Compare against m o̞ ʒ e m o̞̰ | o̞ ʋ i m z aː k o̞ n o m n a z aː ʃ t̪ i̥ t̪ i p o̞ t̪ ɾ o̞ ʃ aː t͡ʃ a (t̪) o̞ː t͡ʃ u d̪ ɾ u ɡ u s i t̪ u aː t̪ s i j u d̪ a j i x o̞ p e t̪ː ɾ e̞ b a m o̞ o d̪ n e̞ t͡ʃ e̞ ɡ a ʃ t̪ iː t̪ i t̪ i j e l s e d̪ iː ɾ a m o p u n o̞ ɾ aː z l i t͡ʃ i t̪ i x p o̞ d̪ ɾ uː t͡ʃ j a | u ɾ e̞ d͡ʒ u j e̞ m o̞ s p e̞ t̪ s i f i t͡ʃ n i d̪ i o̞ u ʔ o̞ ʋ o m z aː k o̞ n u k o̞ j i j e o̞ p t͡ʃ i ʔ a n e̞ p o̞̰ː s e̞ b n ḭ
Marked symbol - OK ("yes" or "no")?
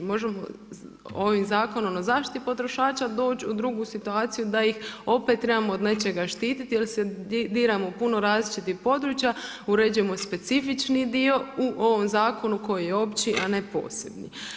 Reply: no